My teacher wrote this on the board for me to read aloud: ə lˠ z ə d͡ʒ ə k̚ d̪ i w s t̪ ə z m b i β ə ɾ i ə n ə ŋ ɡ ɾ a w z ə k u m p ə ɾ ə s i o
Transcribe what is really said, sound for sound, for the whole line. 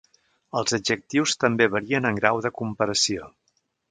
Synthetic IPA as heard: ə lˠ z ə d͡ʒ ə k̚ t̪ i w s t̪ ə m b e β ə ɾ i ə n ə ŋ ɡ ɾ a w ð ə k u m p ə ɾ ə s i o